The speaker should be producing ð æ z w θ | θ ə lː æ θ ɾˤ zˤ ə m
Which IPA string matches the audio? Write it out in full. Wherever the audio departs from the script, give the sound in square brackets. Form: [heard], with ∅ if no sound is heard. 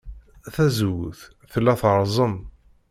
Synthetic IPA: [θ] æ z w θ | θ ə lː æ θ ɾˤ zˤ ə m